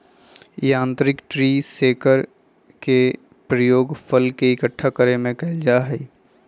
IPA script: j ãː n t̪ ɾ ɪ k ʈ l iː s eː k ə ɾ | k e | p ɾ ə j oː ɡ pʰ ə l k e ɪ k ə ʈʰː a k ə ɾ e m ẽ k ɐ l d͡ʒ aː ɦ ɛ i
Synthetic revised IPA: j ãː n t̪ ɾ ɪ k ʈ ɾ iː s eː k ə ɾ | k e | p ɾ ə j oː ɡ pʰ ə l k e ɪ k ə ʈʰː a k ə ɾ e m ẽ k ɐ l d͡ʒ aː ɦ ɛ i